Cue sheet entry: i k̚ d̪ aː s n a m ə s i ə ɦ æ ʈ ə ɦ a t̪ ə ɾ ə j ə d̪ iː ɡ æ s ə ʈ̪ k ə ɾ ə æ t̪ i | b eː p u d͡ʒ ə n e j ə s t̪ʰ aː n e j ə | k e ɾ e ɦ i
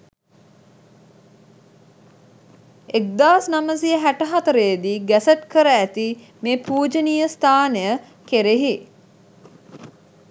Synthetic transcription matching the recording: e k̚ d̪ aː s n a m ə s i ə ɦ æ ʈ ə ɦ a t̪ ə ɾ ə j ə d̪ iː ɡ æ s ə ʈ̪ k ə ɾ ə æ t̪ i | m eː p uː d͡ʒ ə n i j ə s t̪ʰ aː n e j ə | k e ɾ e ɦ i